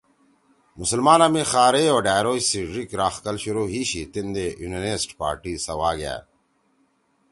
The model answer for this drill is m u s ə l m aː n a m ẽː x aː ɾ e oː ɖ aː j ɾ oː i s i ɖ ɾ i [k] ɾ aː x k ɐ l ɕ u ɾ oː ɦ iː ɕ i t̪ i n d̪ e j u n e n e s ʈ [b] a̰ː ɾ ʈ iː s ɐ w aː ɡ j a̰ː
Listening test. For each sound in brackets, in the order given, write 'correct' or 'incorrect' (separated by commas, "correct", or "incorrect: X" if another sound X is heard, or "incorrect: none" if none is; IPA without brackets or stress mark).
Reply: correct, incorrect: p